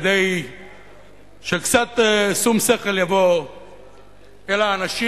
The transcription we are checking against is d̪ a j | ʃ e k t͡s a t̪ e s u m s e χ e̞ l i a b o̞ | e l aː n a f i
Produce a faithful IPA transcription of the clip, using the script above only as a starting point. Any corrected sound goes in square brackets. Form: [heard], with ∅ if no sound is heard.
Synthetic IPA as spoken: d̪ [e] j | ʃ e k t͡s a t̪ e s u m s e χ e̞ l [j] a [v] o̞ | e l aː n a [ʃ] i